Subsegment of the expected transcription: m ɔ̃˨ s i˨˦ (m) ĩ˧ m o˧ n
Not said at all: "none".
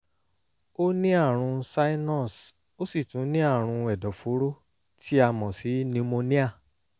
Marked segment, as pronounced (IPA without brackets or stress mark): n